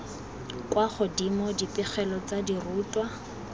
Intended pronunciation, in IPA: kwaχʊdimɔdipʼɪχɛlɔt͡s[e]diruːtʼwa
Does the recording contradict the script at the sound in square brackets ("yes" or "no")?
yes